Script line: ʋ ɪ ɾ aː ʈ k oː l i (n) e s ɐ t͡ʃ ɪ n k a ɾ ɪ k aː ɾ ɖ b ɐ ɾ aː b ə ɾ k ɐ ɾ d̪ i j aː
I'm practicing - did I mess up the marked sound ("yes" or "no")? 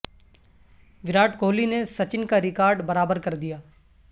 no